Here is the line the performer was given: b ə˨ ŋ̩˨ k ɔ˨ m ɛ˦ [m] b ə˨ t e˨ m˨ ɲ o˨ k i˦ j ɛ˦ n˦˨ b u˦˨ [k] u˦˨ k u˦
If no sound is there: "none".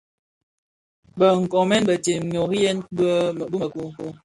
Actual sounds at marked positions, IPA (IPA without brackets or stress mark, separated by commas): n, k